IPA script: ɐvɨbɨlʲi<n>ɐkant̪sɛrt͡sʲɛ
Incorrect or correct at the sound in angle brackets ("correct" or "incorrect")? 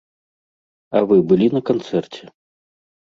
correct